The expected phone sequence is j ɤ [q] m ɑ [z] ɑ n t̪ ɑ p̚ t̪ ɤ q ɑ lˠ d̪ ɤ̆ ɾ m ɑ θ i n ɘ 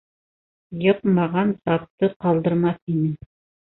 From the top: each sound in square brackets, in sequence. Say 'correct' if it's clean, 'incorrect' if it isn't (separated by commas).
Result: correct, incorrect